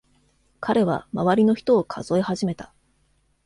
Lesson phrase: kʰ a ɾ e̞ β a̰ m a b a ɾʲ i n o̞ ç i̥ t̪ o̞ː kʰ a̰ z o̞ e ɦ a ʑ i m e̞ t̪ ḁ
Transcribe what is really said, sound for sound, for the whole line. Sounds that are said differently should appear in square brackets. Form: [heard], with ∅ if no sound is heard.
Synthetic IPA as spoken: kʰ a ɾ e̞ β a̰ m a [β] a ɾʲ i n o̞ ç i̥ t̪ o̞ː kʰ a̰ z o̞ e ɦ a ʑ i m e̞ t̪ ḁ

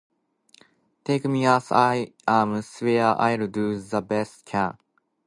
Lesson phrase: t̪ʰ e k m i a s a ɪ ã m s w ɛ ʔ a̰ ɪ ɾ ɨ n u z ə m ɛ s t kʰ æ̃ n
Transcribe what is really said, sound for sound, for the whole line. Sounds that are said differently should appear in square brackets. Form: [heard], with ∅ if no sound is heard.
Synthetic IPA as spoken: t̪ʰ e k m i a s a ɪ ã m s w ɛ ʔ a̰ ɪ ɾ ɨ [d] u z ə [b] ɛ s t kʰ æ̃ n

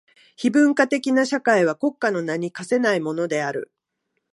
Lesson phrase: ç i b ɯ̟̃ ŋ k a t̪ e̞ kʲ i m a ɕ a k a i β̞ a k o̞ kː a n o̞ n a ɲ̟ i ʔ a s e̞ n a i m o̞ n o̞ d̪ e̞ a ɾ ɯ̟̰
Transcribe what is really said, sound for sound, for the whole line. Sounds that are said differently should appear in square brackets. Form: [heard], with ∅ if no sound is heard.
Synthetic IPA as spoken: ç i b ɯ̟̃ ŋ k a t̪ e̞ kʲ i [n] a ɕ a k a i β̞ a k o̞ kː a n o̞ n a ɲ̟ i [k] a s e̞ n a i m o̞ n o̞ d̪ e̞ a ɾ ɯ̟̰

